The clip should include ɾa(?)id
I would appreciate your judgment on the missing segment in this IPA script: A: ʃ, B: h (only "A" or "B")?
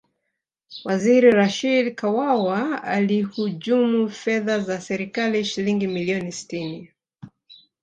A